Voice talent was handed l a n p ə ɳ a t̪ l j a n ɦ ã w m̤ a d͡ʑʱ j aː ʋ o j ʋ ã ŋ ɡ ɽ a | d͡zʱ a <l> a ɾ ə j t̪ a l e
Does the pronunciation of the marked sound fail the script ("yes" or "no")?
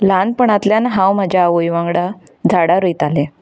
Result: yes